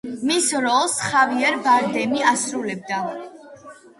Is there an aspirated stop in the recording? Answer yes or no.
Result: no